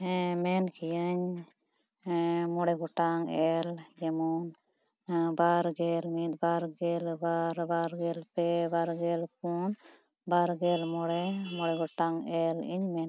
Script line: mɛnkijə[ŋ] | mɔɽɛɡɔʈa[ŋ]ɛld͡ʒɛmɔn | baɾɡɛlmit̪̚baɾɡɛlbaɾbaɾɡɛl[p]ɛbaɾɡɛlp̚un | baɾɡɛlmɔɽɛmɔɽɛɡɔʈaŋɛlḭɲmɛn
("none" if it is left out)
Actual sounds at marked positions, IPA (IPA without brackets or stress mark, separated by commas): ɲ, ŋ, p